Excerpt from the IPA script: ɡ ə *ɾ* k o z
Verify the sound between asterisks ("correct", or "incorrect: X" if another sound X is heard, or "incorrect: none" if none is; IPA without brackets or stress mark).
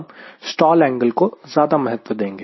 incorrect: l